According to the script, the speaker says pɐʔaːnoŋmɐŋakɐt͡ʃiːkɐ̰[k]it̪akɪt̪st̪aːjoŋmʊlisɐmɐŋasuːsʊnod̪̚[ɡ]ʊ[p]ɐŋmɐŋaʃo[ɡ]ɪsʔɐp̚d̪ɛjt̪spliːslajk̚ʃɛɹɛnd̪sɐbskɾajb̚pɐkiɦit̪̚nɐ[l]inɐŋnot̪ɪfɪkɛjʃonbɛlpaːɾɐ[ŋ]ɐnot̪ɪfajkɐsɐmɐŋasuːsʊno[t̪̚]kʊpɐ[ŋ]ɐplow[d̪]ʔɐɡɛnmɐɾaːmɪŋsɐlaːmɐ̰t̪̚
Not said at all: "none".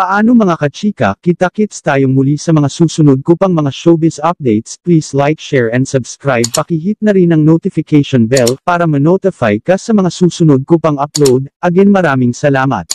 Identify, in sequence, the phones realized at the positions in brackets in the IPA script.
k, k, p, b, ɾ, m, d̪̚, ŋ, d̪

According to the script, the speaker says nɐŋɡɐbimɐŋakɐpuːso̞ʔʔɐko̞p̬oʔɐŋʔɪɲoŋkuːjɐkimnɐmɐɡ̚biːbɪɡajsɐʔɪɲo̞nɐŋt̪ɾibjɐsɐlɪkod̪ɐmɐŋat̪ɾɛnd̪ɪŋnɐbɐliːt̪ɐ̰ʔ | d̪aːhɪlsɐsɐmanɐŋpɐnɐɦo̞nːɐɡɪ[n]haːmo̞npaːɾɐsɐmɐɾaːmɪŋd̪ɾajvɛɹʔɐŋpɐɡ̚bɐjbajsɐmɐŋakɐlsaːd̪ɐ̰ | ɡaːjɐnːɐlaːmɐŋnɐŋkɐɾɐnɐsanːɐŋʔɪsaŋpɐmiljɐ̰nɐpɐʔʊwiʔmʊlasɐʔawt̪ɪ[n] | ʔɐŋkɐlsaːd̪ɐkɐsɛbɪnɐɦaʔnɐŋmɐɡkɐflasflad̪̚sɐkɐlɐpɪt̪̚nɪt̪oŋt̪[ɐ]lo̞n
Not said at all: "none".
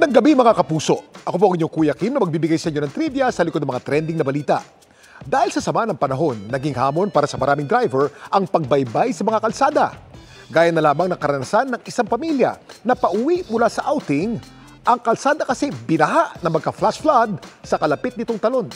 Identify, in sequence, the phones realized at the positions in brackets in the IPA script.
ŋ, ŋ, ɐ

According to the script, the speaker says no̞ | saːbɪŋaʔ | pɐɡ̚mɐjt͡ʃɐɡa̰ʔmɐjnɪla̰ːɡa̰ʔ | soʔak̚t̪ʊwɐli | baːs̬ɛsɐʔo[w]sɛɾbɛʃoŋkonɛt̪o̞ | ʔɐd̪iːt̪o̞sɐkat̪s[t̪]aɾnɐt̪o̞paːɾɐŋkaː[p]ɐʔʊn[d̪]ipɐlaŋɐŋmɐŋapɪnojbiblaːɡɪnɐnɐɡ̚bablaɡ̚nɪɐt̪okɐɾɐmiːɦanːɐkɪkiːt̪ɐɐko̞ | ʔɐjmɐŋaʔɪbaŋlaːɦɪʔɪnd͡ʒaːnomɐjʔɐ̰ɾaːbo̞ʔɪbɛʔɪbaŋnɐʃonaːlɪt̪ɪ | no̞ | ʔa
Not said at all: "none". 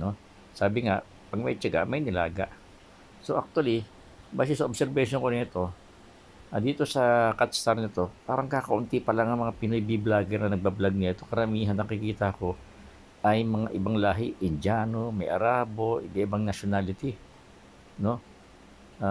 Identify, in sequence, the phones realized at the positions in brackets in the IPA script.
b, t̪, k, t̪

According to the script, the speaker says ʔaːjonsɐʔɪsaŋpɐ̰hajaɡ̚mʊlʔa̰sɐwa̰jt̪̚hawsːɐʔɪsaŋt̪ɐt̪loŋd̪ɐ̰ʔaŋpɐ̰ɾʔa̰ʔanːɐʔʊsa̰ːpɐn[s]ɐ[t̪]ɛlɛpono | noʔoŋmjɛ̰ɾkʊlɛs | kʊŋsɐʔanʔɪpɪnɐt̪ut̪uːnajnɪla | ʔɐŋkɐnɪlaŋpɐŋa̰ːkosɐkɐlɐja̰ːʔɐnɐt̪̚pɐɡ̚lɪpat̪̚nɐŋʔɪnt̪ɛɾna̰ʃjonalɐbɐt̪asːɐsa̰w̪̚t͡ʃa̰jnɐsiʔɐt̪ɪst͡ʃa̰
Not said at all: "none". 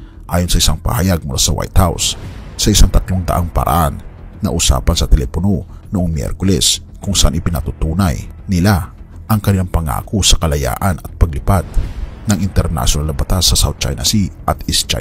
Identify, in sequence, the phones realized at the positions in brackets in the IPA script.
s, t̪

